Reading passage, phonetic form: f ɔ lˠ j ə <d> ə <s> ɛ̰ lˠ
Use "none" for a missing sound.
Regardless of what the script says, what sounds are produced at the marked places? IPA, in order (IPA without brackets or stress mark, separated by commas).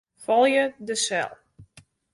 d, s